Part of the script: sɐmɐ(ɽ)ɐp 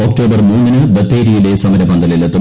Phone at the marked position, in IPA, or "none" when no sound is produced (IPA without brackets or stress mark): ɾ